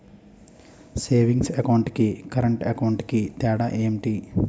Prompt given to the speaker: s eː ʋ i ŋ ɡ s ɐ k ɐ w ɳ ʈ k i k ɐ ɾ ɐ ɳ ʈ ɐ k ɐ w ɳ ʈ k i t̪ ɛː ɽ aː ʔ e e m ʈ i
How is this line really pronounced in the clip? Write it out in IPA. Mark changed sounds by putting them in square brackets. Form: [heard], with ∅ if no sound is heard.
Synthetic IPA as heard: s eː ʋ i ŋ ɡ s ɐ k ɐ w ɳ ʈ k i k ɐ ɾ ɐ ɳ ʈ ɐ k ɐ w ɳ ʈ k i t̪ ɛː ɽ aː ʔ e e m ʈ i